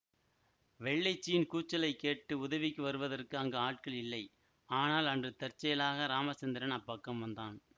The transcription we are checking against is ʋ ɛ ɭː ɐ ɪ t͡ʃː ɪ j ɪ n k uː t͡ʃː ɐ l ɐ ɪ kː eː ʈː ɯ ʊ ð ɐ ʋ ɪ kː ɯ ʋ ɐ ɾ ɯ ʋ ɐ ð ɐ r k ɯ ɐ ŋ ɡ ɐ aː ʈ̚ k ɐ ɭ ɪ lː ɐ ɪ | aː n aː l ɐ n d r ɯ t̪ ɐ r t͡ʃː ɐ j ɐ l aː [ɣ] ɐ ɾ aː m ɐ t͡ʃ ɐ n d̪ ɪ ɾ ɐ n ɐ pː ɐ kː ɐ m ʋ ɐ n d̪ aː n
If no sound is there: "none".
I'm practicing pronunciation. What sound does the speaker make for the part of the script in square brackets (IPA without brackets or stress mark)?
ɣ